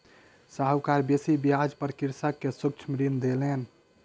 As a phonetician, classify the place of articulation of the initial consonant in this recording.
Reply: alveolar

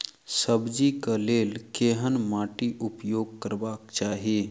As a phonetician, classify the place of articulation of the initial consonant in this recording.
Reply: alveolar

